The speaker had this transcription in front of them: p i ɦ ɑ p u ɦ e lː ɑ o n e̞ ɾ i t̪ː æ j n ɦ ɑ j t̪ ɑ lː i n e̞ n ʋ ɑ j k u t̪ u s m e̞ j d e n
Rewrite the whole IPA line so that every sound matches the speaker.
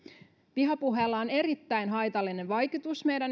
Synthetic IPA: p i ɦ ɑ p u ɦ e lː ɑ o n e̞ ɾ i t̪ː æ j n ɦ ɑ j t̪ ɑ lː i n e̞ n ʋ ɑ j k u t̪ u s m e̞ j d æ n